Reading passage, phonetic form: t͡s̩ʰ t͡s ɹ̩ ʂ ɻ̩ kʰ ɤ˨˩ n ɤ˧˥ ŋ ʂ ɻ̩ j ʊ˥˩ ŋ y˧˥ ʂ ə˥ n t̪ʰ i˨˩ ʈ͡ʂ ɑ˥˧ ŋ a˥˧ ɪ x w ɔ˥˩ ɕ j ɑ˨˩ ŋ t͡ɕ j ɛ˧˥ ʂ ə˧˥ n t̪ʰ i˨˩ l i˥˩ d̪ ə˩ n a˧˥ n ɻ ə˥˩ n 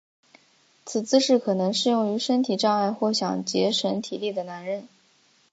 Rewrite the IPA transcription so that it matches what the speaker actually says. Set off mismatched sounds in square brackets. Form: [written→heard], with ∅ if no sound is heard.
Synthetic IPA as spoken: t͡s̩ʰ t͡s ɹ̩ ʂ ɻ̩ kʰ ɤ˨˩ n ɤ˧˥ ŋ ʂ ɻ̩ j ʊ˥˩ ŋ y˧˥ ʂ ə˥ n t̪ʰ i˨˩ ʈ͡ʂ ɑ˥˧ ŋ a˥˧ ɪ x w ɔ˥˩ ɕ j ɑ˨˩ ŋ t͡ɕ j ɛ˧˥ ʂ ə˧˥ n t̪ʰ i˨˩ l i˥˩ d̪ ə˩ n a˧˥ n ɻ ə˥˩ n